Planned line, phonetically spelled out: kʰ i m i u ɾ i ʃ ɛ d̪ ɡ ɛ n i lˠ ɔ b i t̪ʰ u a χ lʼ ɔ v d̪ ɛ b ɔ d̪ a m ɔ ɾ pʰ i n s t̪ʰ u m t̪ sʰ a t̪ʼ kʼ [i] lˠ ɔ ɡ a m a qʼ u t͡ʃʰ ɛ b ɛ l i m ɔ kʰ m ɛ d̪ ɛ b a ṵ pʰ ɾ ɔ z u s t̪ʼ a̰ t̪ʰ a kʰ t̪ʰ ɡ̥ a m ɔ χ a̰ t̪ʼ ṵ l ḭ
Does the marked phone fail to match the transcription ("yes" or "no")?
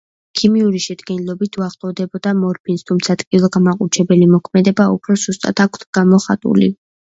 no